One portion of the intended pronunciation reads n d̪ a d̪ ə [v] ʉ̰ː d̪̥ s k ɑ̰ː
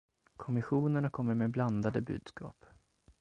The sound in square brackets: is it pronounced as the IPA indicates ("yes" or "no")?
no